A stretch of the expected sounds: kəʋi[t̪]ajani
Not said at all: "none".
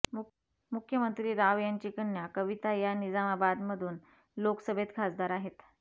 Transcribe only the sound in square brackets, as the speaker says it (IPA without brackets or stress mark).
t̪